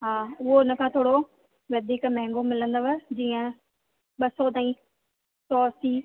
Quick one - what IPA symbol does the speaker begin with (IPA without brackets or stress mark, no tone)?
ɦ